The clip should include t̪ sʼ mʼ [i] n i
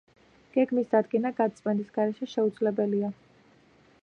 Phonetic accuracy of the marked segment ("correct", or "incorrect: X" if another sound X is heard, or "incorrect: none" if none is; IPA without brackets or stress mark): incorrect: ɛ